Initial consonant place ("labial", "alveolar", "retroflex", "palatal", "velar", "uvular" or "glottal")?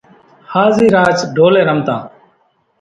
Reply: glottal